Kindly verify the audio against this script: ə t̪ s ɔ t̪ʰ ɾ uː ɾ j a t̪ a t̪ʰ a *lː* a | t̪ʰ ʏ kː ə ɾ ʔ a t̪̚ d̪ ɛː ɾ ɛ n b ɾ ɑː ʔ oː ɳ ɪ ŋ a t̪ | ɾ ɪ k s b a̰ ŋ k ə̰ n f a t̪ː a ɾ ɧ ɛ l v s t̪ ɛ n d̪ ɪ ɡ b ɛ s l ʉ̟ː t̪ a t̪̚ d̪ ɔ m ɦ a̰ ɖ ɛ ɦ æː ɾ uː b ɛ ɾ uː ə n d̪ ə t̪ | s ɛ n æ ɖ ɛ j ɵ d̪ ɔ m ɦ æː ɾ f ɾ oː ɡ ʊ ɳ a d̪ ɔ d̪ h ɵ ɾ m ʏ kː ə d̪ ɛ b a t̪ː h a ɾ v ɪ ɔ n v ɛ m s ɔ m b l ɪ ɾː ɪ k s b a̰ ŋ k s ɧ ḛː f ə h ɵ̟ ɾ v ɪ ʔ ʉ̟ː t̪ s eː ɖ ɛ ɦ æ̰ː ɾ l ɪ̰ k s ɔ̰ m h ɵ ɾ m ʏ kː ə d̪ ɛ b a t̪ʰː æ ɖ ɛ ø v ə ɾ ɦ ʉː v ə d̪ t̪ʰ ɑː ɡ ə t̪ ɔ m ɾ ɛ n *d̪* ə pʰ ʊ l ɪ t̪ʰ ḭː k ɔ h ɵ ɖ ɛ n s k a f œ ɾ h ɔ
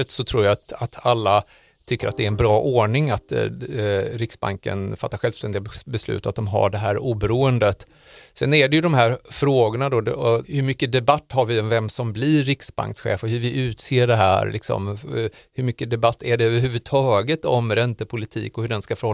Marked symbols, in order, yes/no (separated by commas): yes, no